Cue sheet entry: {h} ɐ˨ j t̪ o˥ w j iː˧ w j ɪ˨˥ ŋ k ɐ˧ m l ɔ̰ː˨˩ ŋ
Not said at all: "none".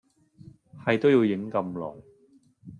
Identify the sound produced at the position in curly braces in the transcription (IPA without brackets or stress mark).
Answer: h